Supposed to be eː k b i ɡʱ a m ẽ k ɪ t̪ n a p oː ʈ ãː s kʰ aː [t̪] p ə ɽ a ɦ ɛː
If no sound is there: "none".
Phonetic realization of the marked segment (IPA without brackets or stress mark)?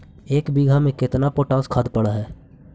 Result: d̪